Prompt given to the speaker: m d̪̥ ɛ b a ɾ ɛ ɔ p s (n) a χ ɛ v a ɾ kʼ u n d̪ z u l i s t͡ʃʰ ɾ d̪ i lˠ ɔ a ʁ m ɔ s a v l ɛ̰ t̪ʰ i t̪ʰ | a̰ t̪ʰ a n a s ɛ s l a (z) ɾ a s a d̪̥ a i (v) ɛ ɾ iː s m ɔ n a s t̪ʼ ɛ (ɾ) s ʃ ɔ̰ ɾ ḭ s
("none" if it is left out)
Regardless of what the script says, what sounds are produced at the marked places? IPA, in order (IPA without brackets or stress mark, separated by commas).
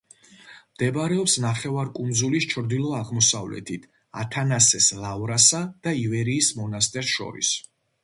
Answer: n, v, v, ɾ